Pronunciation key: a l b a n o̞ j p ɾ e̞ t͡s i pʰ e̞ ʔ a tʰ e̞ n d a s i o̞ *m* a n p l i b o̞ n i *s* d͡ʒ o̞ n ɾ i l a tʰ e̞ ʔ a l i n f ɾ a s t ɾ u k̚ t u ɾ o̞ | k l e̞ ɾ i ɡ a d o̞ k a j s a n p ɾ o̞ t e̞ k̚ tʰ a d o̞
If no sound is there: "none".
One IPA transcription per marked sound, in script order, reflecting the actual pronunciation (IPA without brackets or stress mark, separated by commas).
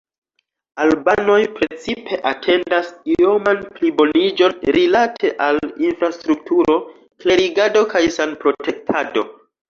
m, none